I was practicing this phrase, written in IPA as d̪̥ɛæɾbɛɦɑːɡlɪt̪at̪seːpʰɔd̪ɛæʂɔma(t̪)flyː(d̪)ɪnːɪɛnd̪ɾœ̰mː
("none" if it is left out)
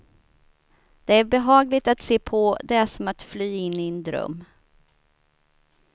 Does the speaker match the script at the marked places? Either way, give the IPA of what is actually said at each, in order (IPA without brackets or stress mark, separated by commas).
t̪, none